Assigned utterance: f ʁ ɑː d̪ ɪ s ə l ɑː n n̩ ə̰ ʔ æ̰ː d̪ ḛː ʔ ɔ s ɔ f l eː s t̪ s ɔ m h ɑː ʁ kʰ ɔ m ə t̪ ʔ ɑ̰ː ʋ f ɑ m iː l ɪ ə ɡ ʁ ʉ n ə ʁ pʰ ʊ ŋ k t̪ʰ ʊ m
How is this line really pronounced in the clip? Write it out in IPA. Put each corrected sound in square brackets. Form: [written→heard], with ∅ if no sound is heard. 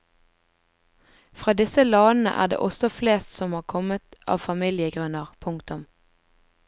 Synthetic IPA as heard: f ʁ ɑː d̪ ɪ s ə l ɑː n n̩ ə̰ ʔ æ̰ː d̪ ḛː ʔ ɔ s ɔ f l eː s t̪ s ɔ m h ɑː ʁ kʰ ɔ m ə t̪ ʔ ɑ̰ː ʋ f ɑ m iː l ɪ ə ɡ ʁ ʉ n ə ʁ pʰ ʊ ŋ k [t̪ʰ→t̪] ʊ m